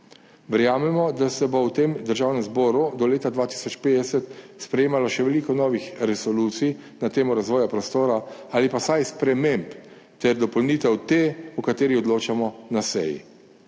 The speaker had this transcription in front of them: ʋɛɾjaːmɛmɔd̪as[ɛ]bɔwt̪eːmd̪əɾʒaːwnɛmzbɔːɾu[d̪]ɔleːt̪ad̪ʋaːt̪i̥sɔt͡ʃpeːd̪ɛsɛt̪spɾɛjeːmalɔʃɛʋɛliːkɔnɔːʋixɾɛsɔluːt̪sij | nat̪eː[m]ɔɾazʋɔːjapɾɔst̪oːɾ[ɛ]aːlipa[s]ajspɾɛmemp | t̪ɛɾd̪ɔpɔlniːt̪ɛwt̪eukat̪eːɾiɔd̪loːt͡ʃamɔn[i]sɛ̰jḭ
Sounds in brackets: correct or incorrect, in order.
correct, correct, correct, incorrect: a, correct, incorrect: a

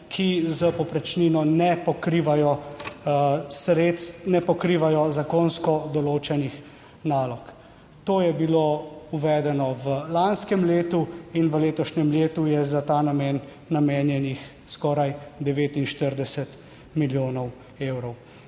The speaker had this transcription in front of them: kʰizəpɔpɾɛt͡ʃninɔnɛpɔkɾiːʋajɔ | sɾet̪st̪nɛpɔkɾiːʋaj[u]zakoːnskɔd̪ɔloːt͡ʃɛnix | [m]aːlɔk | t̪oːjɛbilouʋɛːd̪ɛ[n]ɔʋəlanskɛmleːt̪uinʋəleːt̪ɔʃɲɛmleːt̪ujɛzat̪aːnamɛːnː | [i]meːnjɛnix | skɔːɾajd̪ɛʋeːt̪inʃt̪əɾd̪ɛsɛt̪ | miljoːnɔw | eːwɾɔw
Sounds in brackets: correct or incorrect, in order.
incorrect: ɔ, incorrect: n, correct, incorrect: a

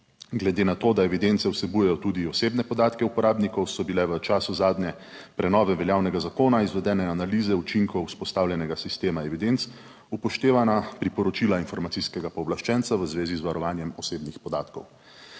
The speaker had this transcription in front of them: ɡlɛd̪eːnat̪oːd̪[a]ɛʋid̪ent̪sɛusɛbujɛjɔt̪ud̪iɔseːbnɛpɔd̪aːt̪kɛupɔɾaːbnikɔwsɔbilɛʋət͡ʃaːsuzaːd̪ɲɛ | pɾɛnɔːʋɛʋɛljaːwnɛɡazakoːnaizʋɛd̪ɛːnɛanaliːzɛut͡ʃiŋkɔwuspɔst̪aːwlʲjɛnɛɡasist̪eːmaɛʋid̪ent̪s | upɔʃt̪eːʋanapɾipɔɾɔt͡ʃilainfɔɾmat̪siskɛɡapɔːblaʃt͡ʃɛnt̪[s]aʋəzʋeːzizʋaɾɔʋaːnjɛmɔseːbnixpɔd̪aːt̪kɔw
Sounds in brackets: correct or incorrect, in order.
correct, correct

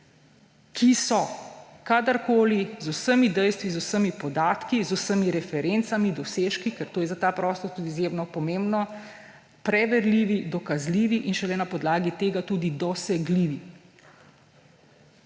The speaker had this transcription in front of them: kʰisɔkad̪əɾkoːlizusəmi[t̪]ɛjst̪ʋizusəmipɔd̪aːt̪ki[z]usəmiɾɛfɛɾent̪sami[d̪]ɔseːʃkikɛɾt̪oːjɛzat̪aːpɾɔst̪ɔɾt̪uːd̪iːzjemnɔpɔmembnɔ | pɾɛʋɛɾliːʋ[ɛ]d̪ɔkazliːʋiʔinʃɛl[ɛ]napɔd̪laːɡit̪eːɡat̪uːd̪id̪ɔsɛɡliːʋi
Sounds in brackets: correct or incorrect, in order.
incorrect: d̪, correct, correct, incorrect: i, correct

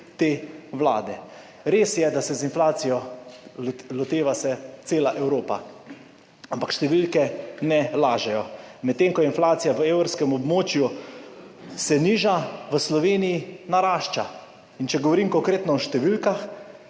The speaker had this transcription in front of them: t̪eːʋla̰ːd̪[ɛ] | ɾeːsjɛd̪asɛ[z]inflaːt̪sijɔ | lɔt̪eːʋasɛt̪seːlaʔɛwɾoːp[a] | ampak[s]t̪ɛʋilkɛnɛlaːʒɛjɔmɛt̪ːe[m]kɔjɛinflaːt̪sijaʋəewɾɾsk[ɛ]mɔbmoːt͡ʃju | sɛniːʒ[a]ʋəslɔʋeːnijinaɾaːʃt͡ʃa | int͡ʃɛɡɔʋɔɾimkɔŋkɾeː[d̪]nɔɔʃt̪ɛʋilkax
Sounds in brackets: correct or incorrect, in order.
correct, correct, correct, incorrect: ʃ, incorrect: ŋ, correct, correct, incorrect: t̪

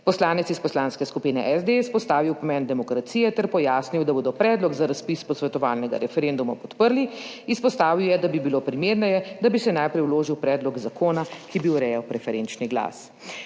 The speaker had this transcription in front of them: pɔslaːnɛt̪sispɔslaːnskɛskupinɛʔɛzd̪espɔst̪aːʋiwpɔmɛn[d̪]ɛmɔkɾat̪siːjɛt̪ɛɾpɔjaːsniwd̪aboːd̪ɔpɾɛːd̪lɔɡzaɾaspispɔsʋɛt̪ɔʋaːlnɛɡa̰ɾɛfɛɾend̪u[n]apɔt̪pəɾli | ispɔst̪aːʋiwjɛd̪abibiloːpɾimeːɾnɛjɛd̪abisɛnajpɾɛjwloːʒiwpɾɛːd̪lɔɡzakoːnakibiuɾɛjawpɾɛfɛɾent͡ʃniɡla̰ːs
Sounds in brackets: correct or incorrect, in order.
correct, incorrect: m

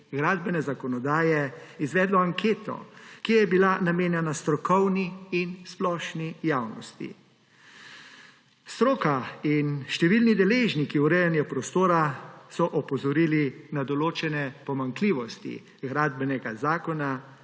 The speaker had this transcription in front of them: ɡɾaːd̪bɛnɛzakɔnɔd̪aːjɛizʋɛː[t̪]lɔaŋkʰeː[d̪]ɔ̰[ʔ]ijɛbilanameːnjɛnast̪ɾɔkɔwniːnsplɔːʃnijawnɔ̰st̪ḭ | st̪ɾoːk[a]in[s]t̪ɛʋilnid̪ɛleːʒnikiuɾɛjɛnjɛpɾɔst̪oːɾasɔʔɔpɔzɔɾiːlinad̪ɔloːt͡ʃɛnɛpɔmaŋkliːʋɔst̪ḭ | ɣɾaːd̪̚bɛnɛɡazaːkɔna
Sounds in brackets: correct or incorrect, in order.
incorrect: d̪, incorrect: t̪, incorrect: k, correct, incorrect: ʃ

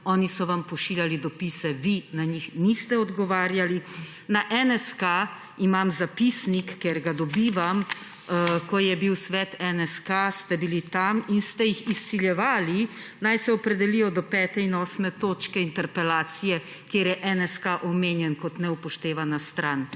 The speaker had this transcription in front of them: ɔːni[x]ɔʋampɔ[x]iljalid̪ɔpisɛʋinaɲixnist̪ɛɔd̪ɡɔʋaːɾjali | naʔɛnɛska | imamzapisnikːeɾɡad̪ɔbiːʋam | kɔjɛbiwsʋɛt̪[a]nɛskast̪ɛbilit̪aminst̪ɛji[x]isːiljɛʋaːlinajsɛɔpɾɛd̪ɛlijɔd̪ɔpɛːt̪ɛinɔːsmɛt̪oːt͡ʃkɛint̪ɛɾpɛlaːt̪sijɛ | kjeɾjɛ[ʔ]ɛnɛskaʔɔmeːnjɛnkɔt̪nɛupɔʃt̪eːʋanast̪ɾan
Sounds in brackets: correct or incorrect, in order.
incorrect: s, incorrect: ʃ, incorrect: ɛ, correct, correct

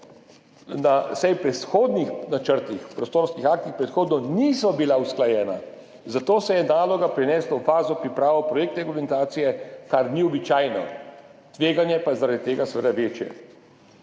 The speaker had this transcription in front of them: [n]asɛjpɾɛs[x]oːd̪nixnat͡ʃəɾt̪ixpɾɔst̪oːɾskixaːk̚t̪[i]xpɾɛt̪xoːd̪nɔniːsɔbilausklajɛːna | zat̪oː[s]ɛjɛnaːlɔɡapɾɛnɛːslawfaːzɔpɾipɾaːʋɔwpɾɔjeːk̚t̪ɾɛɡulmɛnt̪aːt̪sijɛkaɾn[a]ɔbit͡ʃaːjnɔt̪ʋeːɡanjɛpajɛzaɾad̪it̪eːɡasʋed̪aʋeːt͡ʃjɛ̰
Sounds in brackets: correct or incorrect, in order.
correct, correct, correct, correct, incorrect: i

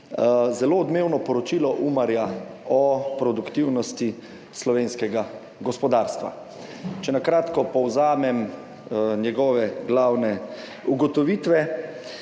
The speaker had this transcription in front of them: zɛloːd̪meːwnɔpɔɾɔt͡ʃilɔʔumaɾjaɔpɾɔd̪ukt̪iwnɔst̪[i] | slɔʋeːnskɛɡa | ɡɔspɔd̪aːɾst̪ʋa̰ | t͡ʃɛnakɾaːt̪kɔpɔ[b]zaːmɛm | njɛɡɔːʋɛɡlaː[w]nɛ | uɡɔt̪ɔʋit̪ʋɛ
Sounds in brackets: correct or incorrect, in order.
correct, incorrect: w, correct

